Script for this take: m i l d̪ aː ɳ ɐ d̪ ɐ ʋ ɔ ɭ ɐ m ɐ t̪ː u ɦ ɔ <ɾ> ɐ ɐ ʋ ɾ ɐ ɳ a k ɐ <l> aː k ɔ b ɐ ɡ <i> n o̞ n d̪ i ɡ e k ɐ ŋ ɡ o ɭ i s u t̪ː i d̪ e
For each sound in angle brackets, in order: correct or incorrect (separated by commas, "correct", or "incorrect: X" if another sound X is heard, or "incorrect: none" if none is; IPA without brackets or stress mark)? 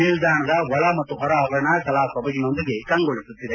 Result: correct, correct, correct